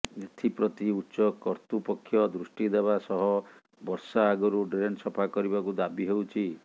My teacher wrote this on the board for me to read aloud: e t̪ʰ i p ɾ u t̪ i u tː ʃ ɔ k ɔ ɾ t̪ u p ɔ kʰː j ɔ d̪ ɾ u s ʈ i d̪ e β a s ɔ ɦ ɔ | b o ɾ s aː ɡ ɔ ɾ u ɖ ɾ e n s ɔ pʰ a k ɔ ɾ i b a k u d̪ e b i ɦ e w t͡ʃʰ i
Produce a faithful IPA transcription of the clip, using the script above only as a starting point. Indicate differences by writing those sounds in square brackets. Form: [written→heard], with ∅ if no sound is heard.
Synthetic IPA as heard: e t̪ʰ i p ɾ [u→ɔ] t̪ i u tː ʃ ɔ k ɔ ɾ t̪ u p ɔ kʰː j ɔ d̪ ɾ u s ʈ i d̪ e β a s ɔ ɦ ɔ | b [o→ɔ] ɾ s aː ɡ ɔ ɾ u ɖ ɾ e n s ɔ pʰ a k ɔ ɾ i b a k u d̪ [e→a] b i ɦ e w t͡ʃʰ i